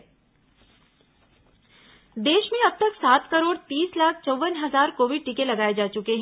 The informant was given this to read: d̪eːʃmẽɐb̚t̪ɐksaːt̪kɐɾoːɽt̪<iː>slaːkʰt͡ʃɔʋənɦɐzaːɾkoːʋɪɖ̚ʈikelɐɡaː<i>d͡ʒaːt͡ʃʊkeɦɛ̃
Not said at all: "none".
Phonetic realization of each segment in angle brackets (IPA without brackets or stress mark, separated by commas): iː, e